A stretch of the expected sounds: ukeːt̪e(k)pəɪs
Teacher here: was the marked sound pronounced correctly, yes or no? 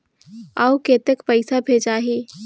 yes